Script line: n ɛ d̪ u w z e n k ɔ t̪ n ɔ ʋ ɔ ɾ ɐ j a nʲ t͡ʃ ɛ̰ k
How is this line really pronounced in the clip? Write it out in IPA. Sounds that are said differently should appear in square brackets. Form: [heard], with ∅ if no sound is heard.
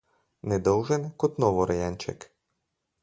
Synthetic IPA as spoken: n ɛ d̪ [ɔ] w [ʒ] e n k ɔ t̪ n ɔ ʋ ɔ ɾ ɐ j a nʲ t͡ʃ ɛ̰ k